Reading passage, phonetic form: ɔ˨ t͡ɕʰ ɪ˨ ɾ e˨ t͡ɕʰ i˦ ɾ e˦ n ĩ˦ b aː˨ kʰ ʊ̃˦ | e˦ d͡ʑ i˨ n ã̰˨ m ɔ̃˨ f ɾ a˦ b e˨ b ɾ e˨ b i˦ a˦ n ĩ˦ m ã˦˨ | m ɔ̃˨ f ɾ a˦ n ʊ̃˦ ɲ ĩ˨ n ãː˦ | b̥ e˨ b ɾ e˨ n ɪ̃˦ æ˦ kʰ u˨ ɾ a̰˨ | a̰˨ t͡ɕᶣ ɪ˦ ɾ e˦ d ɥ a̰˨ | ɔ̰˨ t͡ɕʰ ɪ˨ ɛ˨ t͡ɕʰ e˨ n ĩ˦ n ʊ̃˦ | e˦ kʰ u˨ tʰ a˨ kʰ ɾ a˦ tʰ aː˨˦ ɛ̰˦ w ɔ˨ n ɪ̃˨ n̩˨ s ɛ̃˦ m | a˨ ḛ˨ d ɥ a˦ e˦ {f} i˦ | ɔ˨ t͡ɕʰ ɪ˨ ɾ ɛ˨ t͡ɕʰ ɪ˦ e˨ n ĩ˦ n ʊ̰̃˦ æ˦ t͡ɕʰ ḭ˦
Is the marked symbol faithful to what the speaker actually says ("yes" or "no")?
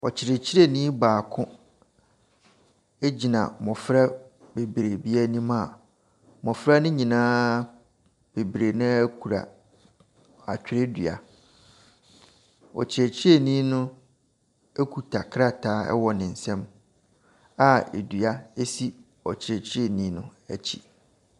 no